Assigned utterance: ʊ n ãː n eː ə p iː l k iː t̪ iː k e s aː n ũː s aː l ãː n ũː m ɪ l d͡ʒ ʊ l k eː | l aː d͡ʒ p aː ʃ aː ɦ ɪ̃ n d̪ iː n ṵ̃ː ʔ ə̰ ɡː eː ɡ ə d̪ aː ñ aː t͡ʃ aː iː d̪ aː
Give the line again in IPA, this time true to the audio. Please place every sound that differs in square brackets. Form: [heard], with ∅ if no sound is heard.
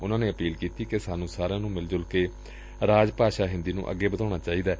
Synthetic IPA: ʊ n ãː n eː ə p iː l k iː t̪ iː k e s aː n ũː s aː [ɾ] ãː n ũː m ɪ l d͡ʒ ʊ l k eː | [ɾ] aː d͡ʒ p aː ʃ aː ɦ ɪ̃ n d̪ iː n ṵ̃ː ʔ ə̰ ɡː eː [b] ə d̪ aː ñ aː t͡ʃ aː iː d̪ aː